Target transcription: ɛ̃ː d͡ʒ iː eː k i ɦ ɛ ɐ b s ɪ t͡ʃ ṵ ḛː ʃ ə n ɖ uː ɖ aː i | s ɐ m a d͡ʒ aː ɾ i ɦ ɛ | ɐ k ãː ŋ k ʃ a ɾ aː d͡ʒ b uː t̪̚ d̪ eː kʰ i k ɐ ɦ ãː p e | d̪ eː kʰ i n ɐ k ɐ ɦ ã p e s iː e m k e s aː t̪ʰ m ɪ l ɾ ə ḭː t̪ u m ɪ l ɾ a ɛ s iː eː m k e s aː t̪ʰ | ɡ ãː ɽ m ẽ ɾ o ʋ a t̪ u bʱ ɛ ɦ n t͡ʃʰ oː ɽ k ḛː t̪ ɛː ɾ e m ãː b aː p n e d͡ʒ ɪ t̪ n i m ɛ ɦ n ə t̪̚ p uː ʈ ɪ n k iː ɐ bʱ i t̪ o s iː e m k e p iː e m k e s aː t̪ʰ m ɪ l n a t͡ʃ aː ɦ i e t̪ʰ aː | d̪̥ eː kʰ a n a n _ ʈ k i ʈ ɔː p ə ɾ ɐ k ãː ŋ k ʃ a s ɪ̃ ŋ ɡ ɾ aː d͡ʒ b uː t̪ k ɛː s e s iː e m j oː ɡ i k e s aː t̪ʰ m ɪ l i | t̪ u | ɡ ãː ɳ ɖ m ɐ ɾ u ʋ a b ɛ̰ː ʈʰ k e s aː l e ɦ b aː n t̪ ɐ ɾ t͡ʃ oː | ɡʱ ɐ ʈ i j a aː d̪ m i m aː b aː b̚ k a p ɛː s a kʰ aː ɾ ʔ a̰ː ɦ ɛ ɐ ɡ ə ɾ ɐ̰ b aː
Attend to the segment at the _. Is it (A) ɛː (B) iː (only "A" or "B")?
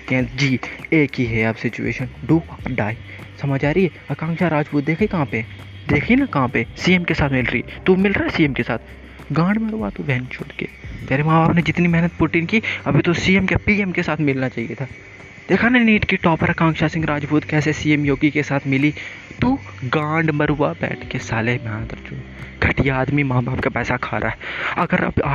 B